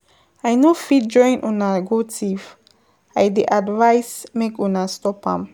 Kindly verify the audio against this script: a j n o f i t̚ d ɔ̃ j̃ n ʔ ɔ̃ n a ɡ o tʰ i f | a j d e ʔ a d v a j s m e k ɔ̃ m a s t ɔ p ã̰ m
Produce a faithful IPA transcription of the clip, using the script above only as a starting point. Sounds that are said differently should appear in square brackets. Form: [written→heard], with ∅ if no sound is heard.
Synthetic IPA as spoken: a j n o f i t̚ [d→d͡ʒ] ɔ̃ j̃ n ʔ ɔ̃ n a ɡ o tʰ i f | a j d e ʔ a d v a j s m e k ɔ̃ [m→n] a s t ɔ p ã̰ m